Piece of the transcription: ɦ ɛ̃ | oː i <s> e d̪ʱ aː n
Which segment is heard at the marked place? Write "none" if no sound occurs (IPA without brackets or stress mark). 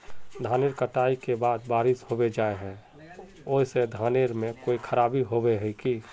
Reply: s